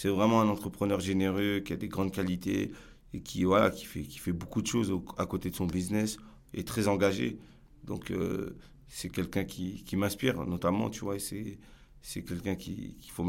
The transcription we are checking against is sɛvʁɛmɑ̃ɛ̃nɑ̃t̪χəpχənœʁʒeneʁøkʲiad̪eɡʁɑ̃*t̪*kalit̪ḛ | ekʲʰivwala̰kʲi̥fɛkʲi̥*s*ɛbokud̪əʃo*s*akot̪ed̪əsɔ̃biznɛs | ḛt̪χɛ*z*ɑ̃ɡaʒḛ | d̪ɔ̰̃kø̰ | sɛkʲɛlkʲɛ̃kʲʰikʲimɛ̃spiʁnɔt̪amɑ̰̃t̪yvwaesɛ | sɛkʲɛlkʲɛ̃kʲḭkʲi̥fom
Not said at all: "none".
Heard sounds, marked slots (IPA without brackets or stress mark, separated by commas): d̪, f, z, z